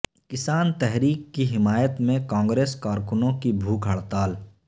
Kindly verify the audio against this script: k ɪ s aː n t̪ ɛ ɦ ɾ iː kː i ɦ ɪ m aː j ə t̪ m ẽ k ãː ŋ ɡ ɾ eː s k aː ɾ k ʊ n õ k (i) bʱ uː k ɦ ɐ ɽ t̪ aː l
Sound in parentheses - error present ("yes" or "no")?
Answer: no